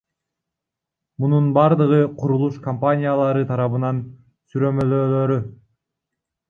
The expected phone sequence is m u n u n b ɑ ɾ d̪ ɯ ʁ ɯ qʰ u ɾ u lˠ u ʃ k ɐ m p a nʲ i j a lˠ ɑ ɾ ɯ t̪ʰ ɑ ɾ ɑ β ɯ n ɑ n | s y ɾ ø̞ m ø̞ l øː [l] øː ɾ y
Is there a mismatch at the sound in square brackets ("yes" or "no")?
no